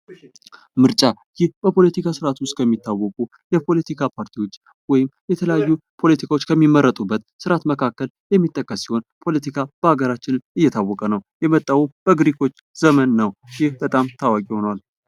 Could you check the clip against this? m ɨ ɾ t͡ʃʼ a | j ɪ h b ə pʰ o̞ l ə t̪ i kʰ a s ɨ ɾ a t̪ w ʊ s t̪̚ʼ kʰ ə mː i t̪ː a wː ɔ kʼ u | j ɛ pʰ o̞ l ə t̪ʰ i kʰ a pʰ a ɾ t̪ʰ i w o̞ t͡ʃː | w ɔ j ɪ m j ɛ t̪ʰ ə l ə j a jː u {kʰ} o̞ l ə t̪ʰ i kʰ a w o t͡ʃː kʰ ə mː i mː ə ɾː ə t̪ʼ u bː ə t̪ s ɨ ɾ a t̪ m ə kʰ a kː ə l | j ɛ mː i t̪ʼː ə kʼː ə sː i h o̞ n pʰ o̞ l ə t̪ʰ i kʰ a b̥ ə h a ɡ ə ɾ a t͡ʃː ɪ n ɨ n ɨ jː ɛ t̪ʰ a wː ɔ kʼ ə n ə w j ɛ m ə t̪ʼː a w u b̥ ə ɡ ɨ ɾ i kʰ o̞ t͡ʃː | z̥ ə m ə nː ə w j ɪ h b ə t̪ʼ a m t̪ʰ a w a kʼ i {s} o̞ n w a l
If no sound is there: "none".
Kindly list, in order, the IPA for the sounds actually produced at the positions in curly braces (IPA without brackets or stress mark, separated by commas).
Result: pʰ, h